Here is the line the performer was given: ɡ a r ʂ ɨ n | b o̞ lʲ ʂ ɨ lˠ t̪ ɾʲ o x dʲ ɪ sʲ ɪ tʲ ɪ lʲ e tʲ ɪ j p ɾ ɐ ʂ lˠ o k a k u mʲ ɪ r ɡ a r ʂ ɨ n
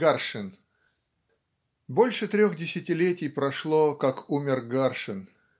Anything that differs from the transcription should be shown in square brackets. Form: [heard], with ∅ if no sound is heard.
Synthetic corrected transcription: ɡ a r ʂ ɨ n | b o̞ lʲ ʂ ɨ [∅] t̪ ɾʲ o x dʲ ɪ sʲ ɪ tʲ ɪ lʲ e tʲ ɪ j p ɾ ɐ ʂ lˠ o k a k u mʲ ɪ r ɡ a r ʂ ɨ n